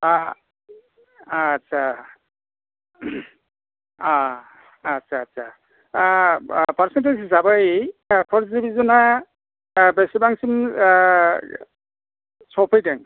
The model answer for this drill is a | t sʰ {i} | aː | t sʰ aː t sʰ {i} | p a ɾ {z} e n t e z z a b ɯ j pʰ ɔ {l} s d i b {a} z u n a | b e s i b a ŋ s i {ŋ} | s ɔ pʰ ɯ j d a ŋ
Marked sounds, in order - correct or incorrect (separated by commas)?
incorrect, incorrect, incorrect, incorrect, incorrect, incorrect